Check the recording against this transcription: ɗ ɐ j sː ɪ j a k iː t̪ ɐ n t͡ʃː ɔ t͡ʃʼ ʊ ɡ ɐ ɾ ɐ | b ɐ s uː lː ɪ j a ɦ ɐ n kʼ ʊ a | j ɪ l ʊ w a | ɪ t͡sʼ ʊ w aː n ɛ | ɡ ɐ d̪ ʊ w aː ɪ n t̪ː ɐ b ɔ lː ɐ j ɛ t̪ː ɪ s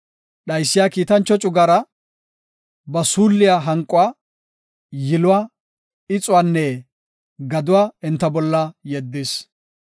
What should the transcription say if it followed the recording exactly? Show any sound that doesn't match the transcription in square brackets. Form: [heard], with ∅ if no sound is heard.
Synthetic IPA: ɗ ɐ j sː ɪ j a k iː t̪ ɐ n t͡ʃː ɔ t͡ʃʼ ʊ ɡ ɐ ɾ ɐ | b ɐ s uː lː ɪ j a ɦ ɐ [ŋ] kʼ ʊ a | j ɪ l ʊ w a | ɪ t͡sʼ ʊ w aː [nː] ɛ | ɡ ɐ d̪ ʊ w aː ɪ n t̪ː ɐ b ɔ lː ɐ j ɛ [d̪ː] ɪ s